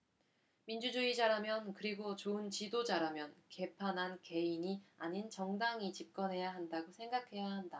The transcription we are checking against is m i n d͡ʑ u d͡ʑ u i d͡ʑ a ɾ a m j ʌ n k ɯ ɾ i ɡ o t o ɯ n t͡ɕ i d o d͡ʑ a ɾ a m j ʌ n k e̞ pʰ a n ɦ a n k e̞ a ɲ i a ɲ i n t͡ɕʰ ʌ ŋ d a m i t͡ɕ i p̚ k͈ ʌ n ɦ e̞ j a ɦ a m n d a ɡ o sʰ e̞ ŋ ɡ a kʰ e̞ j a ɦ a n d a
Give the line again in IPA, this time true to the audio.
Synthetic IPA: m i n d͡ʑ u d͡ʑ u i d͡ʑ a ɾ a m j ʌ n k ɯ ɾ i ɡ o t͡ɕ o ɯ n t͡ɕ i d o d͡ʑ a ɾ a m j ʌ n k e̞ pʰ a n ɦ a n k e̞ i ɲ i a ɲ i n t͡ɕ ʌ ŋ d a ŋ i t͡ɕ i p̚ k͈ ʌ n ɦ e̞ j a ɦ a n d a ɡ o sʰ e̞ ŋ ɡ a kʰ e̞ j a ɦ a n d a

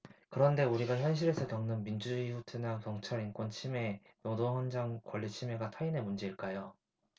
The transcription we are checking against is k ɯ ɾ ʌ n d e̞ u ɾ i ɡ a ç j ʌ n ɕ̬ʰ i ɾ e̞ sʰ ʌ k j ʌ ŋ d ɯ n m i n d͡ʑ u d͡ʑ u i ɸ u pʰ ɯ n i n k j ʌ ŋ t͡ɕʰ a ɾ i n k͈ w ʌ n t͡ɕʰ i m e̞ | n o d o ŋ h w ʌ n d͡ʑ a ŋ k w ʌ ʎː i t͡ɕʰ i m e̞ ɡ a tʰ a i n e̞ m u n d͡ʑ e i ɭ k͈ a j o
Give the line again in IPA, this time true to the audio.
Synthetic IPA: k ɯ ɾ ʌ n d e̞ u ɾ i ɡ a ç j ʌ n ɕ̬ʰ i ɾ e̞ sʰ ʌ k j ʌ ŋ n ɯ n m i n d͡ʑ u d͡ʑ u i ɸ u tʰ ɯ n a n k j ʌ ŋ t͡ɕʰ a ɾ i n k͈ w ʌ n t͡ɕʰ i m e̞ | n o d o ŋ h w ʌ n d͡ʑ a ŋ k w ʌ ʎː i t͡ɕʰ i m e̞ ɡ a tʰ a i n e̞ m u n d͡ʑ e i ɭ k͈ a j o

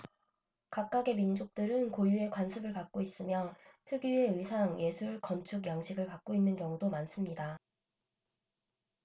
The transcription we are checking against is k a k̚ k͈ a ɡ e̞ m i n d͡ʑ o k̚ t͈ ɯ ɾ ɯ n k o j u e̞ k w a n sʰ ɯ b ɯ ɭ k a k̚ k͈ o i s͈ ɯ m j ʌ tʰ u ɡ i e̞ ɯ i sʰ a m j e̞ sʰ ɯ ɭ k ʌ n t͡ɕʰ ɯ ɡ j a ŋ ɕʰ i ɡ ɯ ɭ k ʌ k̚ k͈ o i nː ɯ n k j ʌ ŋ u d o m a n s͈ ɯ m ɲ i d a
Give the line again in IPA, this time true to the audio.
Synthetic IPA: k a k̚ k͈ a ɡ e̞ m i n d͡ʑ o k̚ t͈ ɯ ɾ ɯ n k o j u e̞ k w a n sʰ ɯ b ɯ ɭ k a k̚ k͈ o i s͈ ɯ m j ʌ tʰ ɯ ɡ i e̞ ɯ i sʰ a ŋ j e̞ sʰ u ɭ k ʌ n t͡ɕʰ u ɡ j a ŋ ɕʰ i ɡ ɯ ɭ k a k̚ k͈ o i nː ɯ n k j ʌ ŋ u d o m a n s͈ ɯ m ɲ i d a

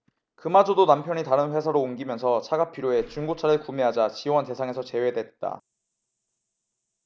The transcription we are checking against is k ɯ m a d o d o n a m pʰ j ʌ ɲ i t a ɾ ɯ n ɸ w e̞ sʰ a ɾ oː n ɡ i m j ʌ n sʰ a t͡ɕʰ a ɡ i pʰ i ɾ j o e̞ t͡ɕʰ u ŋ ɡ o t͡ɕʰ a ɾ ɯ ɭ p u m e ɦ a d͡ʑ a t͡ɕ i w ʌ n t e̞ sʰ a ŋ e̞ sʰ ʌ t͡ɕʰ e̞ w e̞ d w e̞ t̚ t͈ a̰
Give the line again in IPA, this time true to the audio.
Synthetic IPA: k ɯ m a d͡ʑ o d o n a m pʰ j ʌ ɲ i t a ɾ ɯ n ɸ w e̞ sʰ a ɾ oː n ɡ i m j ʌ n sʰ ʌ t͡ɕʰ a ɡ a pʰ i ɾ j o e̞ t͡ɕ u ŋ ɡ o t͡ɕʰ a ɾ ɯ ɭ k u m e ɦ a d͡ʑ a t͡ɕ i w ʌ n t e̞ sʰ a ŋ e̞ sʰ ʌ t͡ɕ e̞ w e̞ d w e̞ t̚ t͈ a̰

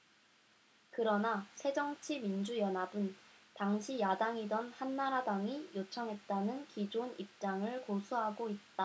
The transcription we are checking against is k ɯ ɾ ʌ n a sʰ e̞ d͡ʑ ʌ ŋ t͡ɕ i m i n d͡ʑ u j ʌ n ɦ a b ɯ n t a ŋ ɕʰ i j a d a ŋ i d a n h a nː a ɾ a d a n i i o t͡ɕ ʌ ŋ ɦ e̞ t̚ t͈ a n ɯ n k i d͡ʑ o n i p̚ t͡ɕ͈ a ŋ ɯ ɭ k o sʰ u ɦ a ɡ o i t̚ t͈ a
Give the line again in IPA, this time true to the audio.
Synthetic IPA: k ɯ ɾ ʌ n a sʰ e̞ d͡ʑ ʌ ŋ t͡ɕʰ i m i n d͡ʑ u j ʌ n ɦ a b ɯ n t a ŋ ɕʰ i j a d a ŋ i d ʌ n h a nː a ɾ a d a ŋ i j o t͡ɕʰ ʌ ŋ ɦ e̞ t̚ t͈ a n ɯ n k i d͡ʑ o n i p̚ t͡ɕ͈ a ŋ ɯ ɭ k o sʰ u ɦ a ɡ o i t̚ t͈ a

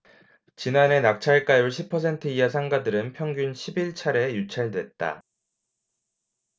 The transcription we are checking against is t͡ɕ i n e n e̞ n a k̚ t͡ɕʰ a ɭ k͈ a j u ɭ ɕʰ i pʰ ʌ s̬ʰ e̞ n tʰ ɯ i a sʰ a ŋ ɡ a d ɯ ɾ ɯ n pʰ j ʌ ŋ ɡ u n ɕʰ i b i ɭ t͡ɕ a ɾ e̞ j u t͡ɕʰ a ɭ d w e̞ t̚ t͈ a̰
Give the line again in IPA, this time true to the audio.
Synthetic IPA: t͡ɕ i n a n e̞ n a k̚ t͡ɕʰ a ɭ k͈ a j u ɭ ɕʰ i pʰ ʌ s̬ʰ e̞ n tʰ ɯ i a sʰ a ŋ ɡ a d ɯ ɾ ɯ n pʰ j ʌ ŋ ɡ u n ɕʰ i b i ɭ t͡ɕʰ a ɾ e̞ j u t͡ɕʰ a ɭ d w e̞ t̚ t͈ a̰

